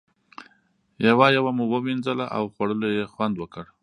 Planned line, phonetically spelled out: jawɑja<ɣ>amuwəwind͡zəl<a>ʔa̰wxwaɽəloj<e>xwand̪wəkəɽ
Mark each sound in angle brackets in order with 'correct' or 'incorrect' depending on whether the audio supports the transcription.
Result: incorrect: w, correct, correct

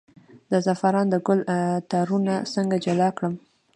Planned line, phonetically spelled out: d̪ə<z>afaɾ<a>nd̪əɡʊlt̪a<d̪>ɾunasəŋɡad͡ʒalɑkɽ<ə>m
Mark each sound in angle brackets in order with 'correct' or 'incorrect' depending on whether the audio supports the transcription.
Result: correct, incorrect: ɑ, incorrect: none, correct

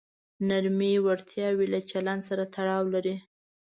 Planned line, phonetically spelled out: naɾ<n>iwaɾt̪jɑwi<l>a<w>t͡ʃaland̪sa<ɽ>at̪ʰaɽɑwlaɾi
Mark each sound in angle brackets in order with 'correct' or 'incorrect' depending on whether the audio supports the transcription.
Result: incorrect: m, correct, incorrect: none, incorrect: ɾ

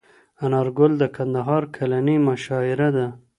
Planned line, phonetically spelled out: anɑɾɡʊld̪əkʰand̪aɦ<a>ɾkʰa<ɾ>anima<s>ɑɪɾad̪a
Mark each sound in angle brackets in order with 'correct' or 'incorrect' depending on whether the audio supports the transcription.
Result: incorrect: ɑ, incorrect: l, incorrect: ʃ

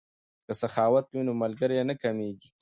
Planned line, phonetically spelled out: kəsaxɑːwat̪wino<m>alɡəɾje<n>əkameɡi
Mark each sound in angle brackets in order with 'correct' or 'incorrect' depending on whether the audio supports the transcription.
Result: correct, correct

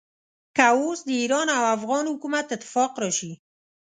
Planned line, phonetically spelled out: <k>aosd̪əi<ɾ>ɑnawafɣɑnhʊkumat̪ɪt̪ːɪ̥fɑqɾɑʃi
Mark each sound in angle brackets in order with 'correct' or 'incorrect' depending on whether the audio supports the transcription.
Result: correct, correct

